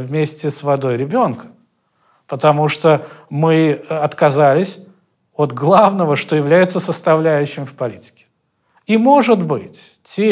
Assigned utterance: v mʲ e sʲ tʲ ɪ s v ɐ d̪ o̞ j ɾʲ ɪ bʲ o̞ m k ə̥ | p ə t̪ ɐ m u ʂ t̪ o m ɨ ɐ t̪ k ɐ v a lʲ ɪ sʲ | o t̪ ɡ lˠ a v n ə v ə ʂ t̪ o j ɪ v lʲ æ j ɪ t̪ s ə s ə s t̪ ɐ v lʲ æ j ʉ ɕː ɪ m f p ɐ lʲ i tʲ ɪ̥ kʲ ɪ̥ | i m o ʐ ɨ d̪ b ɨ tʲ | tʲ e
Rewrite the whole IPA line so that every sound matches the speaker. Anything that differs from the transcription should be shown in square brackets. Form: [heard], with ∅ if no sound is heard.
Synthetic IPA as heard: v mʲ e sʲ tʲ ɪ s v ɐ d̪ o̞ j ɾʲ ɪ bʲ o̞ [n] k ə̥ | p ə t̪ ɐ m u ʂ t̪ o m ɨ ɐ t̪ k ɐ [z] a lʲ ɪ sʲ | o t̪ ɡ lˠ a v n ə v ə ʂ t̪ o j ɪ v lʲ æ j ɪ t̪ s ə s ə s t̪ ɐ v lʲ æ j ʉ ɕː ɪ m f p ɐ lʲ i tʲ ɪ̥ kʲ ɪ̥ | i m o ʐ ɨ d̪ b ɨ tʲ | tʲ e